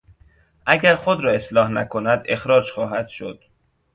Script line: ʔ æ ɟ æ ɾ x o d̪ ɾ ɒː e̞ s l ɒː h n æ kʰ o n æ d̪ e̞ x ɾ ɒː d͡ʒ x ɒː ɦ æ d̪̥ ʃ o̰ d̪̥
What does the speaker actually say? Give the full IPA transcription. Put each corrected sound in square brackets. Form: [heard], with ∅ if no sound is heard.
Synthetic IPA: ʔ æ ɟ æ ɾ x o d̪ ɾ ɒː e̞ s l ɒː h n æ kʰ o n æ d̪ e̞ x ɾ ɒː d͡ʒ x ɒː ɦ æ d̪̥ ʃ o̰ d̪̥